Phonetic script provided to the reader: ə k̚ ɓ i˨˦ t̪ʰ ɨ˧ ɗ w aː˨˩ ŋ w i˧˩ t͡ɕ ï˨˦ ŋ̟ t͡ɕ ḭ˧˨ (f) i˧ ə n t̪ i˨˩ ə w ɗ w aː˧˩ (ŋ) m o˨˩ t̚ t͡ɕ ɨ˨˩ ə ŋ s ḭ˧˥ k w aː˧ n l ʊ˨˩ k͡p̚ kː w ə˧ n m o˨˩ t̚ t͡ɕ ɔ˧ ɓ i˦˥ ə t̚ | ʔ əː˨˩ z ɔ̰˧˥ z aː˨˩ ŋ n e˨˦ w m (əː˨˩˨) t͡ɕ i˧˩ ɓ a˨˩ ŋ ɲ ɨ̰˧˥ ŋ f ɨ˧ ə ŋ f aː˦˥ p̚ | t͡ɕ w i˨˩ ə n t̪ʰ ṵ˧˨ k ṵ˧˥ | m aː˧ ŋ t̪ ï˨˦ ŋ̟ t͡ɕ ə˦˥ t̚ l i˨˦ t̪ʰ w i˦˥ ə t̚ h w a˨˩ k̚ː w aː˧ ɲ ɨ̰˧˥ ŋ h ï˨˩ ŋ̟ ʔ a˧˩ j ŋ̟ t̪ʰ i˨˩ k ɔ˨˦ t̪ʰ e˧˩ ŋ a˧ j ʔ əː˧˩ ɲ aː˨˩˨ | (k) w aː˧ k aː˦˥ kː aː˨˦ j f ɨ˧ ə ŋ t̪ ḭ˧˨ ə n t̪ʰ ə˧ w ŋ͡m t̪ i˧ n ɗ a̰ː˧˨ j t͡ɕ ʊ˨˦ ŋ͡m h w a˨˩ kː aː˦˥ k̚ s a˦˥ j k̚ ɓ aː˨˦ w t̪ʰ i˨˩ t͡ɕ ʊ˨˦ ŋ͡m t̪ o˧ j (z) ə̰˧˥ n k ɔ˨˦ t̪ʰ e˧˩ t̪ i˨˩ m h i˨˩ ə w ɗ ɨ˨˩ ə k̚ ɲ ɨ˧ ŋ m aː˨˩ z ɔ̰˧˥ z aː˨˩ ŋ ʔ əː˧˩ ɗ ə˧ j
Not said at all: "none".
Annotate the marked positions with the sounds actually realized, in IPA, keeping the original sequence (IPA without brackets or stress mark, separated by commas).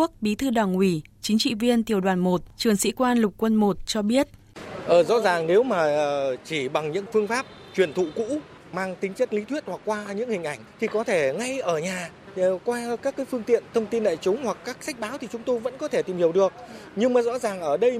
v, n, aː˨˩˨, k, v